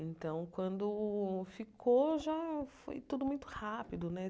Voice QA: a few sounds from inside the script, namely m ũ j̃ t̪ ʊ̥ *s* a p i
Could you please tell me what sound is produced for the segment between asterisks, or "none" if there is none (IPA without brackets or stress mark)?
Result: h